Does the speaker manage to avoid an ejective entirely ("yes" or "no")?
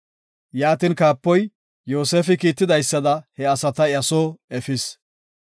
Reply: yes